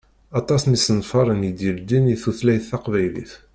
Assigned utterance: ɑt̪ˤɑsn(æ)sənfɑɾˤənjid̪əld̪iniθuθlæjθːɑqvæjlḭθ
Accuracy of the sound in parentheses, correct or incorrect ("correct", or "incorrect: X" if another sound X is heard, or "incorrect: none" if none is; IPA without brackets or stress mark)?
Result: incorrect: i